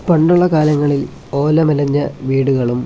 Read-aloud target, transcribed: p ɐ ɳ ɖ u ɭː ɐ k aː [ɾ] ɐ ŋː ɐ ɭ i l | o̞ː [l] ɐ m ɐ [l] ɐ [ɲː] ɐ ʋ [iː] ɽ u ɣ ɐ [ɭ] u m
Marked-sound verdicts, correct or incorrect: incorrect, correct, correct, correct, correct, correct

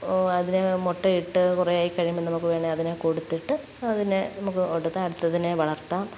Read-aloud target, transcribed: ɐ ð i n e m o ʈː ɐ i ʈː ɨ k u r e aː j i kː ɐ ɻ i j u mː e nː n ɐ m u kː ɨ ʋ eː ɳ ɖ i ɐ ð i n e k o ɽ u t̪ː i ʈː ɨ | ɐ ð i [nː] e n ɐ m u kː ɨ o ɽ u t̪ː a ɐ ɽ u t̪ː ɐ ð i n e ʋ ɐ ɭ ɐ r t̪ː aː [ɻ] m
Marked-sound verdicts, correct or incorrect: incorrect, incorrect

